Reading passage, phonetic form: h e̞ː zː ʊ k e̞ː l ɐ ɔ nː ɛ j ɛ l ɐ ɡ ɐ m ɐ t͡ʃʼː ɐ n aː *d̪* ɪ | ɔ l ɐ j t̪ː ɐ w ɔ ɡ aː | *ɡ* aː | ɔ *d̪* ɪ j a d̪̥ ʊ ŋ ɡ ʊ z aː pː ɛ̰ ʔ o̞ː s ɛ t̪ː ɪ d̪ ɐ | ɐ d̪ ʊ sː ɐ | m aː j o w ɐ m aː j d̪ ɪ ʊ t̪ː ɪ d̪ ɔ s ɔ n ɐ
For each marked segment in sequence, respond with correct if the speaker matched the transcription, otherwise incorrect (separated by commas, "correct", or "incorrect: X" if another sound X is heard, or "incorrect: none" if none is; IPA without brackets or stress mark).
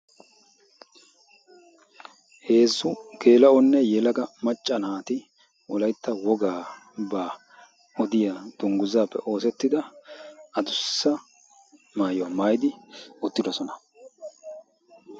incorrect: t̪, incorrect: b, correct